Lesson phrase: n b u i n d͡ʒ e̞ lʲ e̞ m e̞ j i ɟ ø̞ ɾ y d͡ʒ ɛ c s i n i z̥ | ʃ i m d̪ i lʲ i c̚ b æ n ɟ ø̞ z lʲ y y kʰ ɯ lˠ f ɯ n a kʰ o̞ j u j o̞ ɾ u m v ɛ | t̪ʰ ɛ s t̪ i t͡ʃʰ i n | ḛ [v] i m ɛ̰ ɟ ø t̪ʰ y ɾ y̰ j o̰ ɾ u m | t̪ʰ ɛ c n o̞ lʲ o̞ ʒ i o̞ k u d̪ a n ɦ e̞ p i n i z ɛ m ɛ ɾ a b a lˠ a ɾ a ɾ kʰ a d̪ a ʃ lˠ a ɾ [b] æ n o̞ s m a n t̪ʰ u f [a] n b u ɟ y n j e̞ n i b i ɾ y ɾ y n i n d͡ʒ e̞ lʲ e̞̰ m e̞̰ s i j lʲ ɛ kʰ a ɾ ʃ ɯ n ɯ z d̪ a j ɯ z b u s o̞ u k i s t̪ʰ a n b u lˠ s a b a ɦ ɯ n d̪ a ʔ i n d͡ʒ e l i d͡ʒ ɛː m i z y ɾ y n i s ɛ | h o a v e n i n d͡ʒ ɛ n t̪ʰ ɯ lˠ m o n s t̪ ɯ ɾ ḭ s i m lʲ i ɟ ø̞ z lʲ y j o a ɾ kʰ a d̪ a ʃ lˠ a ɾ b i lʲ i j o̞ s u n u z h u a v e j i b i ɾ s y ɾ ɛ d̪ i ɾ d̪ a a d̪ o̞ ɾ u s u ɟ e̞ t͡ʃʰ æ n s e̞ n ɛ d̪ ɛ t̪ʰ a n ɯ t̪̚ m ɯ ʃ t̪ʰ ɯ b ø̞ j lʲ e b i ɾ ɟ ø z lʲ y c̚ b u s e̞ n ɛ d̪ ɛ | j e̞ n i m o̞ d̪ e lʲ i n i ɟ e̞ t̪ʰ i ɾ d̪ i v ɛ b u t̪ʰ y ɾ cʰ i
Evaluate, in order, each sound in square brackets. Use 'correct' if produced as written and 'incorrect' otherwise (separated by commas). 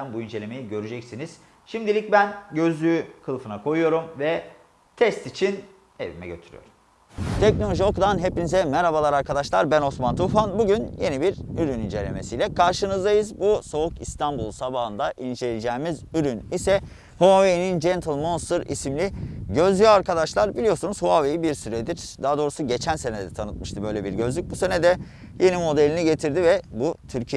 correct, correct, correct